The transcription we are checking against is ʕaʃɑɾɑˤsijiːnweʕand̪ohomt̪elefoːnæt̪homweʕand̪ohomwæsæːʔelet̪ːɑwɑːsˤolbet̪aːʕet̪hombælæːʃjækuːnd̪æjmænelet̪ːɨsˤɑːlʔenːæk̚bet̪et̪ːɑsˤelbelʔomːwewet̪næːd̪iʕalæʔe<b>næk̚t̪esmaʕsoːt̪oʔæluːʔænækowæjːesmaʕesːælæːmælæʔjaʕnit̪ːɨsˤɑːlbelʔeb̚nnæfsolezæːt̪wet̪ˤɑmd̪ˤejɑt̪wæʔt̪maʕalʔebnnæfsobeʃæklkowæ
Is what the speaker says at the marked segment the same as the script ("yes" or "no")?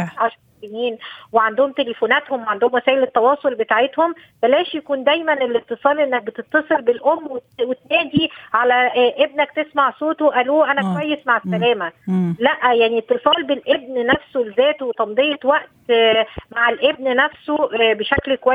yes